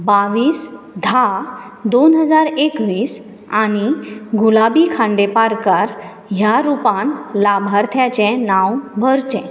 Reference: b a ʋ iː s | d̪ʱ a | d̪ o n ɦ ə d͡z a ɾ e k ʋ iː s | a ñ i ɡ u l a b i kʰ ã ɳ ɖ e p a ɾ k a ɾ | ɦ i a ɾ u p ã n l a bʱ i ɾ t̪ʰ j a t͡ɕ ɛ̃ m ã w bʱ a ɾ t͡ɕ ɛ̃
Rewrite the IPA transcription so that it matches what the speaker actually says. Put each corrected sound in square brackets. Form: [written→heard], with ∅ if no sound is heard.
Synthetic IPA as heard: b a ʋ iː s | d̪ʱ a | d̪ o n ɦ ə d͡z a ɾ e k ʋ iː s | a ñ i ɡ u l a b i kʰ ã ɳ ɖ e p a ɾ k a ɾ | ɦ [i→j] a ɾ u p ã n l a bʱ [i→a] ɾ t̪ʰ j a t͡ɕ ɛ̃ [m→n] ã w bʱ [a→ə] ɾ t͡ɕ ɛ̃